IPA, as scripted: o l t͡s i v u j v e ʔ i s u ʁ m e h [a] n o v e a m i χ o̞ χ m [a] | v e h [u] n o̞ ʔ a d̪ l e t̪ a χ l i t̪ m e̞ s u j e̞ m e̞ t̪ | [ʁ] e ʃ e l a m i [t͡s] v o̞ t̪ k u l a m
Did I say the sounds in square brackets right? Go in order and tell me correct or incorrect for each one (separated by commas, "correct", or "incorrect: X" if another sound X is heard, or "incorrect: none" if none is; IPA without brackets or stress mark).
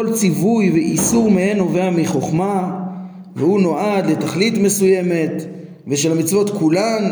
incorrect: e, correct, correct, incorrect: v, correct